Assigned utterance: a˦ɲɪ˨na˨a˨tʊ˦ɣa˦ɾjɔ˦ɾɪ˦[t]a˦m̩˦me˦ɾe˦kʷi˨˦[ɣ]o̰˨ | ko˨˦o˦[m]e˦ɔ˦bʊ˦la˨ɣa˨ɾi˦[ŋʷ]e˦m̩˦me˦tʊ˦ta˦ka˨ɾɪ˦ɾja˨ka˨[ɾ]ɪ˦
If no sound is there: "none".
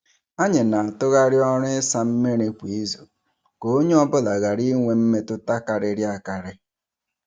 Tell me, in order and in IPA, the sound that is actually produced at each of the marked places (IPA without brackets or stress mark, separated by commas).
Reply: s, z, ɲ, ŋʷ, ɾ